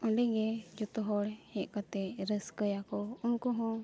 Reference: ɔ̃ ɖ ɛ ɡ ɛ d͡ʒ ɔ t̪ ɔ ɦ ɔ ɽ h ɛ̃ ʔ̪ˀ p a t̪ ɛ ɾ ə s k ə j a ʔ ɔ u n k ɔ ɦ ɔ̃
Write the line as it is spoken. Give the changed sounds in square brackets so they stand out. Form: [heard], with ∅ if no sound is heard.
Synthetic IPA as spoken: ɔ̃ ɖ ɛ ɡ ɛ d͡ʒ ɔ t̪ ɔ ɦ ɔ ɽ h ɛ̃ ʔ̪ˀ [k] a t̪ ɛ ɾ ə s k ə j a [k] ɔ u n k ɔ ɦ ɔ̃